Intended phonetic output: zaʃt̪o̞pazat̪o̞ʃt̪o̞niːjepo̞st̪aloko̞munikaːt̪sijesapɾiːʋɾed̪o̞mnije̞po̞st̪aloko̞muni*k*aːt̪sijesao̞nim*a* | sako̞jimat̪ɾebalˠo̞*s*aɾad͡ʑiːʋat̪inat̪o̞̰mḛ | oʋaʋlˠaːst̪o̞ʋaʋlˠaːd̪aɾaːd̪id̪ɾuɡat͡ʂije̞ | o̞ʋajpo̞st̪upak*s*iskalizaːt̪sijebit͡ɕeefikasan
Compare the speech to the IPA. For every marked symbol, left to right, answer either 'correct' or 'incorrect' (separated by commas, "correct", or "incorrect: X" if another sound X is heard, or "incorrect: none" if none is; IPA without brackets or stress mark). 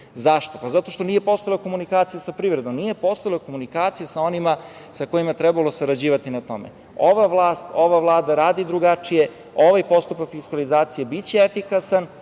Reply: correct, correct, correct, incorrect: f